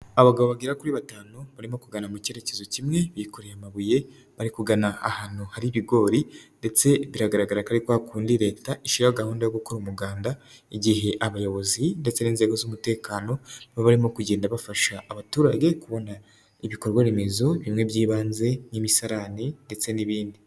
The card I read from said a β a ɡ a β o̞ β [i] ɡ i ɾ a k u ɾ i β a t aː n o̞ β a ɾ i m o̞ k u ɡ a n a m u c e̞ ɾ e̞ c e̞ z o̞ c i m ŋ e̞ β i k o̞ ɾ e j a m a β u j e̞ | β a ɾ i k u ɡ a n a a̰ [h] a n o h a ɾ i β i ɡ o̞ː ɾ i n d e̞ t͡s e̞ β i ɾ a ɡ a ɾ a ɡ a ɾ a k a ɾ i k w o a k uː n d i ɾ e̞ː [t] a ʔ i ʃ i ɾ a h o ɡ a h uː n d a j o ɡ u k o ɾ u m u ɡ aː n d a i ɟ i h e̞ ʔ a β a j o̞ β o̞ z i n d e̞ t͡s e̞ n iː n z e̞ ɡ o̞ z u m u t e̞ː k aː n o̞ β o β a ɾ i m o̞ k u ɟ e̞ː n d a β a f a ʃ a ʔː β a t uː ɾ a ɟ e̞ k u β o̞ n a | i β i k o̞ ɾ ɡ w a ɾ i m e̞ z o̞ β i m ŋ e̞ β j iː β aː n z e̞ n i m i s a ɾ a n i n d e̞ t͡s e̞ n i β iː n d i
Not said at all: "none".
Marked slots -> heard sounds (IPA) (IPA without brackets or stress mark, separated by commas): a, h, t